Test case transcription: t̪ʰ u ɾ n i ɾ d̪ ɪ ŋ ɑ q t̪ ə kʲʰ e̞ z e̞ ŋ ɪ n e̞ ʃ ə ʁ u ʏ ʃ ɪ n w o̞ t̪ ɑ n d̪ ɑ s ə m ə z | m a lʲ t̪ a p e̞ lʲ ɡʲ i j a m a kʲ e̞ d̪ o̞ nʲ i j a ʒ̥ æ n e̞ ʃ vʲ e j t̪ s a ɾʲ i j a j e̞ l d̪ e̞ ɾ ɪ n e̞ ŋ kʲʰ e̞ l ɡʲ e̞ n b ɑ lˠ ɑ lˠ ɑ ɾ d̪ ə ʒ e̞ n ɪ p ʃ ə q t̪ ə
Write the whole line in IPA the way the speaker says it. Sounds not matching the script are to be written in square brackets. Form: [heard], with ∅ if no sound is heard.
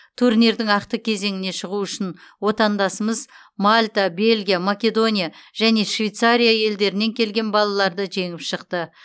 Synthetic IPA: t̪ʰ u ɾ n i ɾ d̪ ɪ ŋ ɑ q t̪ ə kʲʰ e̞ z e̞ ŋ ɪ n e̞ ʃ ə ʁ u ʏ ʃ ɪ n w o̞ t̪ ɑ n d̪ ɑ s ə m ə z | m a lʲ t̪ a [b] e̞ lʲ ɡʲ i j a m a kʲ e̞ d̪ o̞ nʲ i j a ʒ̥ æ n e̞ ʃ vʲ e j t̪ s a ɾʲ i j a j e̞ l d̪ e̞ ɾ ɪ n e̞ ŋ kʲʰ e̞ l ɡʲ e̞ n b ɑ lˠ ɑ lˠ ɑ ɾ d̪ ə ʒ e̞ [ŋ] ɪ p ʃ ə q t̪ ə

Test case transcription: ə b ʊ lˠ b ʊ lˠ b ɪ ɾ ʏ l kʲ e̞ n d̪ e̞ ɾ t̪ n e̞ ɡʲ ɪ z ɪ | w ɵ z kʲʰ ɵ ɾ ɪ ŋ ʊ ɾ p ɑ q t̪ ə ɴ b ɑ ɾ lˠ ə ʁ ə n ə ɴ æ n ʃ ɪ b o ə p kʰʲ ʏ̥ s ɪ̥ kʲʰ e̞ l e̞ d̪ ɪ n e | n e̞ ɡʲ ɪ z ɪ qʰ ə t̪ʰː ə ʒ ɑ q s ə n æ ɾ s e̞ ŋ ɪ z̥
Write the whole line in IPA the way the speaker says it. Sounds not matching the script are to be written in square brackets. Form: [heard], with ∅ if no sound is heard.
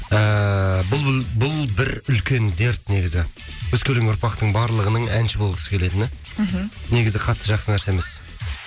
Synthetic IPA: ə b ʊ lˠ b ʊ lˠ b ɪ ɾ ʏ l kʲ e̞ n d̪ e̞ ɾ t̪ n e̞ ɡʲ ɪ z ɪ | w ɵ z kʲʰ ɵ [l] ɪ ŋ ʊ ɾ p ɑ q t̪ ə ɴ b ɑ ɾ lˠ ə ʁ ə n ə ɴ æ n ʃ ɪ b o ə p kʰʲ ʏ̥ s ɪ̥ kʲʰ e̞ l e̞ d̪ ɪ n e | n e̞ ɡʲ ɪ z ɪ qʰ [ɑ] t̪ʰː ə ʒ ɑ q s ə n æ ɾ s e̞ [m] ɪ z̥

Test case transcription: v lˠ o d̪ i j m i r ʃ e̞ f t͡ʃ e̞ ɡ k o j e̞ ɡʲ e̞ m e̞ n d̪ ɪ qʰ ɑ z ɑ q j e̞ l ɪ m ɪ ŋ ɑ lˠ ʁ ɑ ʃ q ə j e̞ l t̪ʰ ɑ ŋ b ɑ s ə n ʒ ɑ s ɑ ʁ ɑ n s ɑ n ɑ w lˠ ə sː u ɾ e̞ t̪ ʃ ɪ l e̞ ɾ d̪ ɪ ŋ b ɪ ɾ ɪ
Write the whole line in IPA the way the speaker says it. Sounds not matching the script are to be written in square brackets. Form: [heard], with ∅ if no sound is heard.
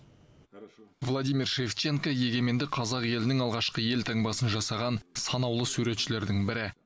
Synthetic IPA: v lˠ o d̪ i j m i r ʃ e̞ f t͡ʃ e̞ [ŋ] k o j e̞ ɡʲ e̞ m e̞ n d̪ ɪ qʰ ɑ z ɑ q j e̞ l ɪ [n] ɪ ŋ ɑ lˠ ʁ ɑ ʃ q ə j e̞ l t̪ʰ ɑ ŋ b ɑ s ə n ʒ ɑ s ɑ ʁ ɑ n s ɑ n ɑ w lˠ ə [s] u ɾ e̞ t̪ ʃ ɪ l e̞ ɾ d̪ ɪ ŋ b ɪ ɾ ɪ

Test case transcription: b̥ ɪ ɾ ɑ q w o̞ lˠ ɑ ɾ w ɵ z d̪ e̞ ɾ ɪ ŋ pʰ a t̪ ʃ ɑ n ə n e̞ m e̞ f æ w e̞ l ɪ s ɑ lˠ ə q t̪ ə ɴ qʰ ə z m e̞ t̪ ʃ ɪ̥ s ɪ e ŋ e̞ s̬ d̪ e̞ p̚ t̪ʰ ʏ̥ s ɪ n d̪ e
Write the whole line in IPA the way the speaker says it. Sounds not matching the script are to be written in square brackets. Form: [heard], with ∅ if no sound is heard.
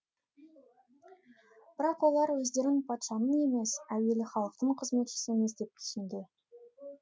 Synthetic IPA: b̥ ɪ ɾ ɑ q w o̞ lˠ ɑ ɾ w ɵ z d̪ e̞ ɾ ɪ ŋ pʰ [ɑ] t̪ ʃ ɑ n ə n e̞ m e̞ [s] æ w e̞ l ɪ [χ] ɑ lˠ ə q t̪ ə ɴ qʰ ə z m e̞ t̪ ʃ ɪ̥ s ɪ e [m] e̞ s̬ d̪ e̞ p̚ t̪ʰ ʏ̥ s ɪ n d̪ e

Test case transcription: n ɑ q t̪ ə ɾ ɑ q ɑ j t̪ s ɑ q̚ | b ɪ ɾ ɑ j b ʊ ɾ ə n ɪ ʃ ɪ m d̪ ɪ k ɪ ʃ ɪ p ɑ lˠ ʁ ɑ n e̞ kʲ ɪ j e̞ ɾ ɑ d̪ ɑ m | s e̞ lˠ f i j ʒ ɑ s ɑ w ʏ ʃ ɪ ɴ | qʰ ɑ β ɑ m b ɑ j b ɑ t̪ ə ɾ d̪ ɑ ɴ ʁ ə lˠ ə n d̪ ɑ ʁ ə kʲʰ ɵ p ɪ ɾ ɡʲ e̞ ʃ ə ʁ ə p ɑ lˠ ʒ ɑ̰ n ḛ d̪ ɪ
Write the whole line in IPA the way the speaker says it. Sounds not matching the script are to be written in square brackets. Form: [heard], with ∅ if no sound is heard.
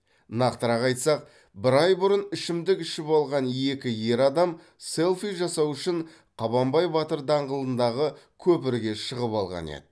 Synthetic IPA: n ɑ q t̪ ə ɾ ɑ q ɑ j t̪ s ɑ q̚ | b ɪ ɾ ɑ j b ʊ ɾ ə n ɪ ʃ ɪ m d̪ ɪ k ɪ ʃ ɪ p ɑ lˠ ʁ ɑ n e̞ kʲ ɪ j e̞ ɾ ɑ d̪ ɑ m | s e̞ lˠ f i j ʒ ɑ s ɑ w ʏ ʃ ɪ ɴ | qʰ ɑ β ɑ m b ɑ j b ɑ t̪ ə ɾ d̪ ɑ ɴ ʁ ə lˠ ə n d̪ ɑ ʁ ə kʲʰ ɵ p ɪ ɾ ɡʲ e̞ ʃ ə ʁ ə p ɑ lˠ [ʁ] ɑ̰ n ḛ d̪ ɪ

